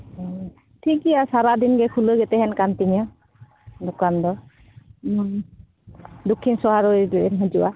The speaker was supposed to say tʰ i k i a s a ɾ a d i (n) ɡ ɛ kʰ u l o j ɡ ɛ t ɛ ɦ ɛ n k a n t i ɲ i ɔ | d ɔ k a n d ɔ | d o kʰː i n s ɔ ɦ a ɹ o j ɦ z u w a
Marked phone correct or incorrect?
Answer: correct